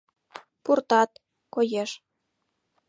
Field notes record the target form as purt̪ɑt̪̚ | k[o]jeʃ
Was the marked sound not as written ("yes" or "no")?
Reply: no